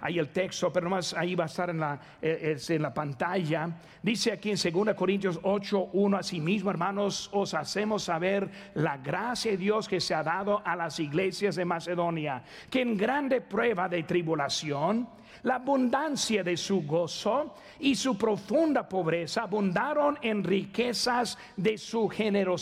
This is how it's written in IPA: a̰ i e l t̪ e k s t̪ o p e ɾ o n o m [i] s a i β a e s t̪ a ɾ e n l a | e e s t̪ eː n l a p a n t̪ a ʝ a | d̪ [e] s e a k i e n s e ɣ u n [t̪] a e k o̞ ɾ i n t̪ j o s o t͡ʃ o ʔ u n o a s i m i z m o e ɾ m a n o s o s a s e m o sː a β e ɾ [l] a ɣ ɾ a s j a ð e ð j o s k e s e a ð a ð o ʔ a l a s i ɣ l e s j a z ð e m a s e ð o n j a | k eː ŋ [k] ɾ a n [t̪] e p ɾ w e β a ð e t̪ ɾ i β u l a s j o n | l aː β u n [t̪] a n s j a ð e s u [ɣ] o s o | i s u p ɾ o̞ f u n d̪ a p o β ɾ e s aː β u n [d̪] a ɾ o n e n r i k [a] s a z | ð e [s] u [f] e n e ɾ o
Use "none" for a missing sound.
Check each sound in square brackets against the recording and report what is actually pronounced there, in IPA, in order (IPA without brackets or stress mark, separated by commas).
a, i, d̪, l, ɡ, d̪, d̪, ɣ, d̪, e, s, x